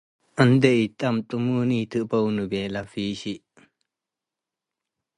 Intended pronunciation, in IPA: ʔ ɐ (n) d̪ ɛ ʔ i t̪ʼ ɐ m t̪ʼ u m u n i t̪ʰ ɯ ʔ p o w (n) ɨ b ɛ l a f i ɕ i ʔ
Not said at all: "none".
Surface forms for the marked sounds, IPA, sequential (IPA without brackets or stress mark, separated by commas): n, n